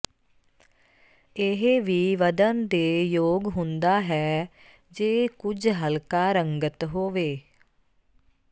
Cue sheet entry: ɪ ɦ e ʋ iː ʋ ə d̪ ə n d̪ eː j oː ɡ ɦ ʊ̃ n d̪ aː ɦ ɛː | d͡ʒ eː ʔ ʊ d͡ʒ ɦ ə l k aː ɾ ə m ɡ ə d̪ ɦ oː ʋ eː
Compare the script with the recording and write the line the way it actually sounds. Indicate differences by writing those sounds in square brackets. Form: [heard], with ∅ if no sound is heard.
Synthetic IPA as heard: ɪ ɦ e ʋ iː ʋ ə d̪ ə n d̪ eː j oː ɡ ɦ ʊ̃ n d̪ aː ɦ ɛː | d͡ʒ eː [k] ʊ d͡ʒ ɦ ə l k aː ɾ ə [ŋ] ɡ ə [t̪] ɦ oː ʋ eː